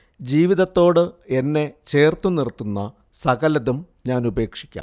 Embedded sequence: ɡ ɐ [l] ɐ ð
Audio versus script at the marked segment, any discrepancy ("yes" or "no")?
no